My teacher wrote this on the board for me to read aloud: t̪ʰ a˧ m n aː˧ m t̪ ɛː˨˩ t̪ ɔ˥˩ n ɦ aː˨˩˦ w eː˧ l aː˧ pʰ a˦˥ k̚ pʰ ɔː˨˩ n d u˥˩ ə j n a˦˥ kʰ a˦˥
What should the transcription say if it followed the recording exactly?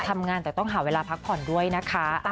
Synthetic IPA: t̪ʰ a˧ m ŋ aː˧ n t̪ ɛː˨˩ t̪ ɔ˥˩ ŋ ɦ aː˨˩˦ w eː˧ l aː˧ pʰ a˦˥ k̚ pʰ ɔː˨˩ n d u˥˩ ə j n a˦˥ kʰ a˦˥